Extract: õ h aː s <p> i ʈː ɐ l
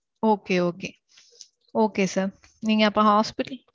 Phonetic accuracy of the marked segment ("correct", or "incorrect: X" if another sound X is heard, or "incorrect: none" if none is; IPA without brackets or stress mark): correct